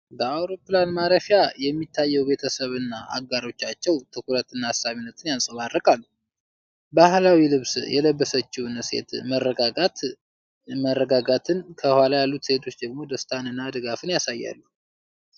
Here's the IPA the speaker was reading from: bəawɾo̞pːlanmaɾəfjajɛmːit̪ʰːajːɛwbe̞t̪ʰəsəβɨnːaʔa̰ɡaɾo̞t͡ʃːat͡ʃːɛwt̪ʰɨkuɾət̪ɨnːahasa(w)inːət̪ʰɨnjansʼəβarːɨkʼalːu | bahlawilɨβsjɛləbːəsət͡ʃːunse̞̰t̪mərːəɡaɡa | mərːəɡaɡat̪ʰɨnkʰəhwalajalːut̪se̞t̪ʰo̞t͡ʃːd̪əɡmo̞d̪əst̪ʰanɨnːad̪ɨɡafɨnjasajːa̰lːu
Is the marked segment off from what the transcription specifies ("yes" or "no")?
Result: yes